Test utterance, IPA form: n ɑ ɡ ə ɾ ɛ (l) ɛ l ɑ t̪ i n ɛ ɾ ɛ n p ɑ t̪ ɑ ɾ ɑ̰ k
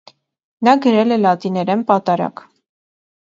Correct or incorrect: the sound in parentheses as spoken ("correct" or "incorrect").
correct